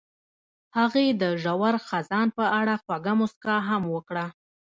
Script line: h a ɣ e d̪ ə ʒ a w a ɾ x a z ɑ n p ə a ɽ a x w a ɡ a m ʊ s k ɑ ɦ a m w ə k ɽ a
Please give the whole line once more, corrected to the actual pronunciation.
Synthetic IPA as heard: h a ɣ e d̪ ə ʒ a w a ɾ x a z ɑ n p ə a ɽ a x w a ɡ a m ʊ s k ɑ ɦ a m w ə k ɽ a